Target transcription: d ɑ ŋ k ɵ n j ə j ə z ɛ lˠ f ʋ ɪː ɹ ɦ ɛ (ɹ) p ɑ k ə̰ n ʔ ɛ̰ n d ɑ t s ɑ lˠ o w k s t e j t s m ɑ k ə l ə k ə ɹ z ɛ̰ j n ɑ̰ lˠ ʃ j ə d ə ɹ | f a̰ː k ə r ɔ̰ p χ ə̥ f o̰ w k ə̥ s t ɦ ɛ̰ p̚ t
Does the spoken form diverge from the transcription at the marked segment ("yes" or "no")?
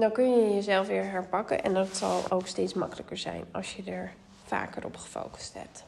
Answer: no